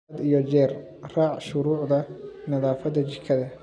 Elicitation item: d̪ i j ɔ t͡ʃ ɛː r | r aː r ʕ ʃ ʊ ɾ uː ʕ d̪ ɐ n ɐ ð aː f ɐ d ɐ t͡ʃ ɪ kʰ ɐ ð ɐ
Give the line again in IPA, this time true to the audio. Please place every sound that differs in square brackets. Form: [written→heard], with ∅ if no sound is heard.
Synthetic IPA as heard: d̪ i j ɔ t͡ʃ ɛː r | r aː [r→∅] ʕ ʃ ʊ ɾ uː ʕ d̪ ɐ n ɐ ð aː f ɐ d ɐ t͡ʃ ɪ kʰ ɐ ð ɐ